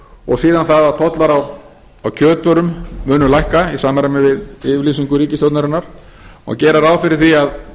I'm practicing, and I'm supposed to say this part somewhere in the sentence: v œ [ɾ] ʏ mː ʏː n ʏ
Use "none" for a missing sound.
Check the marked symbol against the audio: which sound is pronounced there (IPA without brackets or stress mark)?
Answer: ɾ